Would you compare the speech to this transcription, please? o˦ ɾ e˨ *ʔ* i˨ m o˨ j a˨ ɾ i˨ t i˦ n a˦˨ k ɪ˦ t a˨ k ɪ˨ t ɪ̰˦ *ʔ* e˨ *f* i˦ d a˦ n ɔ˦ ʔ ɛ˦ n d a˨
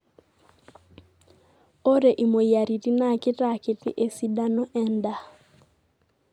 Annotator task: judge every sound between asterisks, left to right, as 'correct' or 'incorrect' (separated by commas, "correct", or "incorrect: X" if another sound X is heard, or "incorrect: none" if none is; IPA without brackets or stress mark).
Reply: correct, correct, incorrect: s